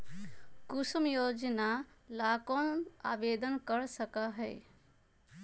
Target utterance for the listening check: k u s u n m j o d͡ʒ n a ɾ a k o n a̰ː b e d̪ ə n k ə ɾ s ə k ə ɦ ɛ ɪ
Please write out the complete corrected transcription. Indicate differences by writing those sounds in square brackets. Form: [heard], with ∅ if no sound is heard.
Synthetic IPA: k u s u [∅] m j o d͡ʒ n a [l] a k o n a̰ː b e d̪ ə n k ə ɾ s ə k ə ɦ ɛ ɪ